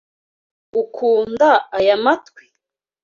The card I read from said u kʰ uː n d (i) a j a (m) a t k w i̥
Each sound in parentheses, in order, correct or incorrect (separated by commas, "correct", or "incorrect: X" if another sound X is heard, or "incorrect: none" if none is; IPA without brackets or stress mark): incorrect: a, correct